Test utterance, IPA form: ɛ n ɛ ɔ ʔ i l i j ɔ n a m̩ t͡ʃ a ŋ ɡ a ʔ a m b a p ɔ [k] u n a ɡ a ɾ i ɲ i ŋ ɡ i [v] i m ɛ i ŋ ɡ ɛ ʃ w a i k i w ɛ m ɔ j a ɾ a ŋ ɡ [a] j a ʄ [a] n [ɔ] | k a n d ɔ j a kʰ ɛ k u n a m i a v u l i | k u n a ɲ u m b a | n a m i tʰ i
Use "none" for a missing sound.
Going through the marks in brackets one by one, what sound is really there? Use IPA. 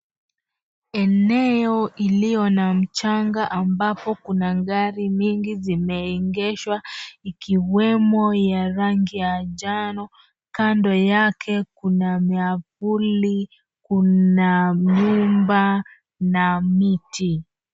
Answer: k, z, i, a, ɔ

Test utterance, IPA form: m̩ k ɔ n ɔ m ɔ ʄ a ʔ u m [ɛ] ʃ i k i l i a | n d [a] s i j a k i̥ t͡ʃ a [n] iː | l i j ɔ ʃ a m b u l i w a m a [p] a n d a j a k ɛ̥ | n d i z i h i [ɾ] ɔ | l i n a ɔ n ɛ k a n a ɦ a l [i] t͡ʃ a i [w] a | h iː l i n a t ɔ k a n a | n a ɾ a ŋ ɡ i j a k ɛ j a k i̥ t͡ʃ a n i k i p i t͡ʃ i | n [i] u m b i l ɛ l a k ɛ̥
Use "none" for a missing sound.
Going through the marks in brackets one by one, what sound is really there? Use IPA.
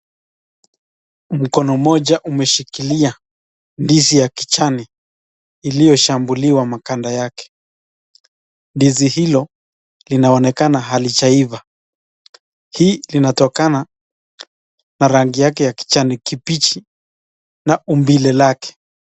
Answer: ɛ, i, n, k, l, i, v, a

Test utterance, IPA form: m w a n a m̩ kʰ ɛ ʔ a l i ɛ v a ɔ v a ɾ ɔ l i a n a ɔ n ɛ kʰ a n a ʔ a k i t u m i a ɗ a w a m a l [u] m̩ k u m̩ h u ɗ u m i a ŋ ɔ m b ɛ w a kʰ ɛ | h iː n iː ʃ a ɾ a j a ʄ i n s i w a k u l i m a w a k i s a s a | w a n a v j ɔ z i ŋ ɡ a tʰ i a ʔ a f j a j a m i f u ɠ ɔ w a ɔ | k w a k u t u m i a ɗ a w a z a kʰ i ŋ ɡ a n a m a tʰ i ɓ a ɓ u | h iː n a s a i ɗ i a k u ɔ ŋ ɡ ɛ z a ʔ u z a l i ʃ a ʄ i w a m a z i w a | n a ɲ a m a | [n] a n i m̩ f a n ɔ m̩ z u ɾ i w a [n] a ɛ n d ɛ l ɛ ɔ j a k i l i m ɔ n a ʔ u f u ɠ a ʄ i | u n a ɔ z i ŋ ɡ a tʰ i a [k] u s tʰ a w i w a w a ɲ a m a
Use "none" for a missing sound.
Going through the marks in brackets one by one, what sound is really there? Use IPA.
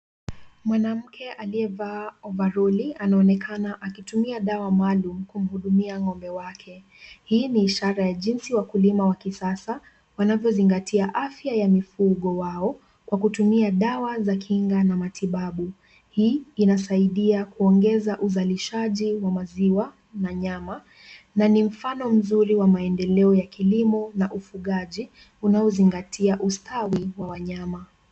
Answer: u, n, m, ʔ

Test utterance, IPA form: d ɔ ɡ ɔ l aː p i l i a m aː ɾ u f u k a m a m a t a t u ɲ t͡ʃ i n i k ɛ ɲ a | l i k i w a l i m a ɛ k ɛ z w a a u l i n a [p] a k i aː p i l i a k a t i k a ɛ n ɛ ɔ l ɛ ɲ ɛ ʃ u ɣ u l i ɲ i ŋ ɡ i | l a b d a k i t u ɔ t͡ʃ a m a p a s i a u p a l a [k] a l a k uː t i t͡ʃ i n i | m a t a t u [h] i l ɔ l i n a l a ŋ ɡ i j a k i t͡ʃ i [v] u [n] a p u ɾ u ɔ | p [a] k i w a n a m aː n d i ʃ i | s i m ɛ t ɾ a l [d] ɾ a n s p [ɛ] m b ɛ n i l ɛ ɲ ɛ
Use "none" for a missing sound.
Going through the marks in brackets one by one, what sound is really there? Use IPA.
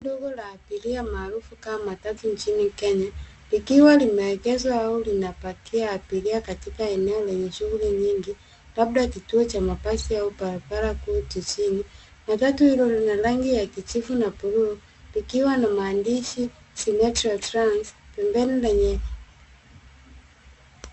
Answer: p, p, h, f, n, i, t, ɛ

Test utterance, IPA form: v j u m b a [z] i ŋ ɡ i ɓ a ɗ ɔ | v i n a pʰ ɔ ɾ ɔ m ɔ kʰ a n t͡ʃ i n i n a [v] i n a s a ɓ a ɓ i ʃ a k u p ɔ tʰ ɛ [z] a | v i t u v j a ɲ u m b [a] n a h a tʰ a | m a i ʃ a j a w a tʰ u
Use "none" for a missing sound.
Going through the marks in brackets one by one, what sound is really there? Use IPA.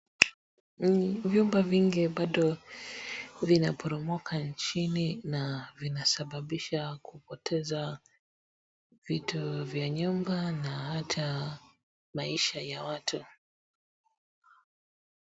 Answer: v, v, z, a

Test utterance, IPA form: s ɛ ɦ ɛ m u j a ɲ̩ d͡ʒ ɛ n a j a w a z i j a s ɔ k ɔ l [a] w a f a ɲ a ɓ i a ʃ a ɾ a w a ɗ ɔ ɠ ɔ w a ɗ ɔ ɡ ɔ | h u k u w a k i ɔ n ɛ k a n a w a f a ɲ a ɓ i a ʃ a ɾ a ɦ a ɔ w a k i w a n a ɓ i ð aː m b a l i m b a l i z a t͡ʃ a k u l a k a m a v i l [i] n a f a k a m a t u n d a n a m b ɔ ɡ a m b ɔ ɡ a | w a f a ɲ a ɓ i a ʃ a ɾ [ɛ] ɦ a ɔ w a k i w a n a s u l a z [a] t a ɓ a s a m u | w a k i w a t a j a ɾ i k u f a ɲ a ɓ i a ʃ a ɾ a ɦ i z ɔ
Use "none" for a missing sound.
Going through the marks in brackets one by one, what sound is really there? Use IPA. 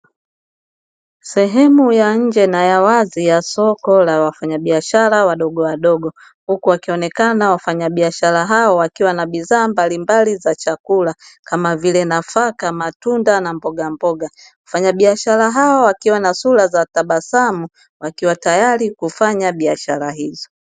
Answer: a, ɛ, a, a

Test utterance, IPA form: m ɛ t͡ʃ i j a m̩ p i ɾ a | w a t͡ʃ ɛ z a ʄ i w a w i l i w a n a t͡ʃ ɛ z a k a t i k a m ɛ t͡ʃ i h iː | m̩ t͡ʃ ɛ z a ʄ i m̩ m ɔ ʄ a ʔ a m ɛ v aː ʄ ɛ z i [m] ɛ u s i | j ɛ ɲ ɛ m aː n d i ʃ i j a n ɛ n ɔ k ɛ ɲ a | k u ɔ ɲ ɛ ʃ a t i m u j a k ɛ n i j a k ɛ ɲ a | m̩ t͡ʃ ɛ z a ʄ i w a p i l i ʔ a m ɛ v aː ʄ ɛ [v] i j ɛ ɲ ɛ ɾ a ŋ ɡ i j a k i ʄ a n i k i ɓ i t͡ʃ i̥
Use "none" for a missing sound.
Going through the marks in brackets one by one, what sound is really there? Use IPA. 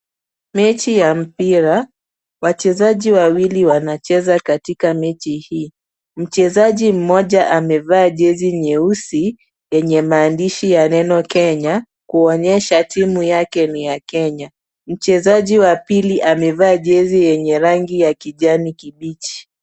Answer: ɲ, z

